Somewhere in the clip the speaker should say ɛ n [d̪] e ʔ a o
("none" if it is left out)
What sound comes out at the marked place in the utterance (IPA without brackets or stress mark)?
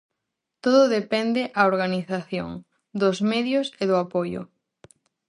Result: d̪